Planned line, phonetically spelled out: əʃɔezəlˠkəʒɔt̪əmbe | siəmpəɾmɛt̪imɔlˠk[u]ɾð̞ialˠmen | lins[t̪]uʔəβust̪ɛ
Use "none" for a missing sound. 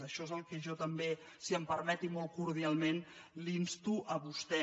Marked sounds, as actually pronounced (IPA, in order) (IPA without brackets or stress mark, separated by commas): u, t̪